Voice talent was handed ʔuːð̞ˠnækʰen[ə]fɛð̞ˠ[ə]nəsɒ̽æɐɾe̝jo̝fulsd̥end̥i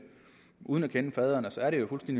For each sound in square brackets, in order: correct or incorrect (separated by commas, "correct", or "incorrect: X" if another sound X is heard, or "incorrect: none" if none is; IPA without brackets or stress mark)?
correct, incorrect: ɐ